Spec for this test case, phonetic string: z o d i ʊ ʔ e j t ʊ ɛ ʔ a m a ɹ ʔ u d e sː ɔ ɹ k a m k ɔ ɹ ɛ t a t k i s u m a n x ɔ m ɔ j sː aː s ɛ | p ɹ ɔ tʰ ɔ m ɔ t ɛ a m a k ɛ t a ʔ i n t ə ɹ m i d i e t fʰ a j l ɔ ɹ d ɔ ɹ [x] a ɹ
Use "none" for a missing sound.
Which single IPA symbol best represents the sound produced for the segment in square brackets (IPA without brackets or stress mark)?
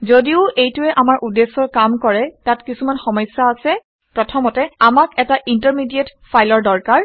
k